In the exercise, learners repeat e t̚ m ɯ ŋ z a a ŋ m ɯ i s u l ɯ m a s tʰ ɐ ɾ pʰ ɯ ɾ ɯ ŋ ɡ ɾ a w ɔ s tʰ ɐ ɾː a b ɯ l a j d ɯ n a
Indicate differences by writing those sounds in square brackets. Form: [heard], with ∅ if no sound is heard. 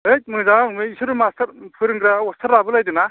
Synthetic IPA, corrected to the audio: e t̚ m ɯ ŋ z a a ŋ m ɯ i s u [ɾ] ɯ m a s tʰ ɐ ɾ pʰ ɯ ɾ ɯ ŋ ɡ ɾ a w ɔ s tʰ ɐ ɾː a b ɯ l a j d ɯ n a